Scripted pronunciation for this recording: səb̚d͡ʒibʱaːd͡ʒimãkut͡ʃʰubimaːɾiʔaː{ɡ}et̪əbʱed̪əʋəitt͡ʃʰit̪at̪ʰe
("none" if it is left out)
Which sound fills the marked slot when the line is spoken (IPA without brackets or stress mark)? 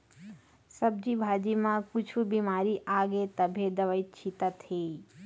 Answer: ɡ